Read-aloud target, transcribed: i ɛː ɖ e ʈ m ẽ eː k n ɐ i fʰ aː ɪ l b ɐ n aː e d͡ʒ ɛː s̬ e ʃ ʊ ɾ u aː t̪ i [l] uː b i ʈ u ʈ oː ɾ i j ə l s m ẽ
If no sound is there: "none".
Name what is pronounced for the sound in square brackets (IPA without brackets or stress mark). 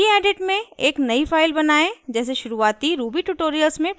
ɾ